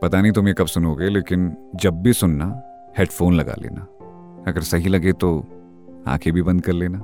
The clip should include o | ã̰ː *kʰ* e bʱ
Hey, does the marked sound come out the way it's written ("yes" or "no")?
yes